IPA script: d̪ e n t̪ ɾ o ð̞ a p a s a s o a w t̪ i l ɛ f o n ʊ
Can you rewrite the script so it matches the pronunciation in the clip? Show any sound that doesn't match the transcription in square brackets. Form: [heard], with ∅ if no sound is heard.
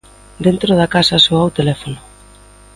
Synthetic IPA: d̪ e n t̪ ɾ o ð̞ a [k] a s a s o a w t̪ [e] l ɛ f o n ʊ

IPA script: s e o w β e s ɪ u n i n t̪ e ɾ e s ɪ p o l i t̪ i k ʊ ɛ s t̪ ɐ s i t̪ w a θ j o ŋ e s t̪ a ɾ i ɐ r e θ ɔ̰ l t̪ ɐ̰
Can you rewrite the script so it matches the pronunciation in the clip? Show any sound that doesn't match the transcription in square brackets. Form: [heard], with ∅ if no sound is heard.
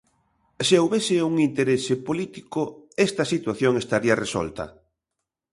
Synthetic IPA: s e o w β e s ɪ u [ŋ] i n t̪ e ɾ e s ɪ p o l i t̪ i k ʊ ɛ s t̪ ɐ s i t̪ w a θ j o ŋ e s t̪ a ɾ i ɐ r e [s] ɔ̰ l t̪ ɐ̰

